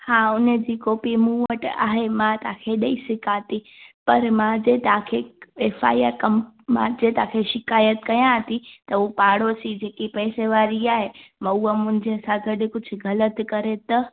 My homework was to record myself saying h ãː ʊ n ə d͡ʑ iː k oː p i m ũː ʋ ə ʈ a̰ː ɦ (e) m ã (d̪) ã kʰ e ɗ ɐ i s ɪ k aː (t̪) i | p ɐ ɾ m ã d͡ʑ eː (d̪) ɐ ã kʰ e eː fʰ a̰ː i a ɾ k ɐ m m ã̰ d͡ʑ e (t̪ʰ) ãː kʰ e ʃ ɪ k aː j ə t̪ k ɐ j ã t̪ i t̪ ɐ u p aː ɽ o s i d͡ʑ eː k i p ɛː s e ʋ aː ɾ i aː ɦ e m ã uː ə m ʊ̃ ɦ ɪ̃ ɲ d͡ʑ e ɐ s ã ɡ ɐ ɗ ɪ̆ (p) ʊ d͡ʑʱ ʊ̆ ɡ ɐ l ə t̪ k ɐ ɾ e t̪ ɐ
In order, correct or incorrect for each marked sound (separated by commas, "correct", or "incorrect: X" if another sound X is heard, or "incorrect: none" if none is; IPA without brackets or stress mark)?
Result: correct, incorrect: t̪, correct, incorrect: t̪, incorrect: t̪, incorrect: k